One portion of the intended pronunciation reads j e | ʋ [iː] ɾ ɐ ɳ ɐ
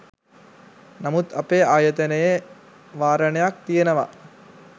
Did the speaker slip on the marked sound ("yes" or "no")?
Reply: yes